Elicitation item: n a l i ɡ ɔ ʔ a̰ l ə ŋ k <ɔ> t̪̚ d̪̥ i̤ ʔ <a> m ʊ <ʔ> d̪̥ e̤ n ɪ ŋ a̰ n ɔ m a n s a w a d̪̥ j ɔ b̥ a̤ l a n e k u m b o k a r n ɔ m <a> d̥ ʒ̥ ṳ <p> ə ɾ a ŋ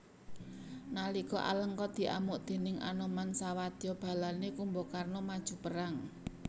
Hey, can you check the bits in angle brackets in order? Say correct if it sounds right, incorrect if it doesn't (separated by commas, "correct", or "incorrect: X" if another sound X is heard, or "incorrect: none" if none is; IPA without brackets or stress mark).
correct, correct, correct, correct, correct